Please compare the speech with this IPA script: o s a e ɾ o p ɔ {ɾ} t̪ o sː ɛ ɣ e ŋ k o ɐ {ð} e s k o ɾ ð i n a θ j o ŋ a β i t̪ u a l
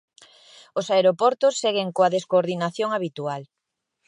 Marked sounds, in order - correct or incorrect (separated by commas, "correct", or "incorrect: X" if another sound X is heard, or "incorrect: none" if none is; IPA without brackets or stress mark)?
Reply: correct, correct